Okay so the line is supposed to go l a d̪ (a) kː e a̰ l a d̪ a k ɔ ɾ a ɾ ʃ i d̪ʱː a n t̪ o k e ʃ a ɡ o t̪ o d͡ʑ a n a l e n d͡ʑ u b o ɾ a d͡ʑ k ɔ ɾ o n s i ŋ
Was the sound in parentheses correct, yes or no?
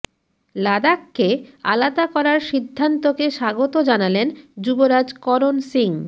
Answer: yes